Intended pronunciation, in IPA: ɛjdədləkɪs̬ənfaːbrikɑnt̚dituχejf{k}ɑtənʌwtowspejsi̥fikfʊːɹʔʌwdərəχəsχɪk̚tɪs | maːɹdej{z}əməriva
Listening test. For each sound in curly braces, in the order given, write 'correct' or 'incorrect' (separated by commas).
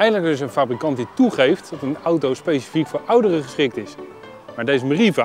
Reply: incorrect, correct